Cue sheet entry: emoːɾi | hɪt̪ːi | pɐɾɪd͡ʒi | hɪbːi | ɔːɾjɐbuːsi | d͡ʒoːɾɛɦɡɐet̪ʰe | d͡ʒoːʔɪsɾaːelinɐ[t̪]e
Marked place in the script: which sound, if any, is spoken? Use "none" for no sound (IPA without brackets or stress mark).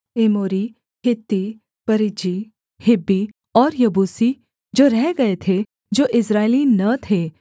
t̪ʰ